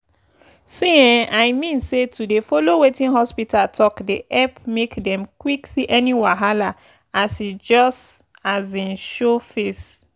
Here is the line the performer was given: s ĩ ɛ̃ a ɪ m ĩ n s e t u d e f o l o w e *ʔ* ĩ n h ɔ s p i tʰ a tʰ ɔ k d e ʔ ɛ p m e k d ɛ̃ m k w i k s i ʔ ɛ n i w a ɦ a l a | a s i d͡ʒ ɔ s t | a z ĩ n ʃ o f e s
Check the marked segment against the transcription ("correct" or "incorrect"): incorrect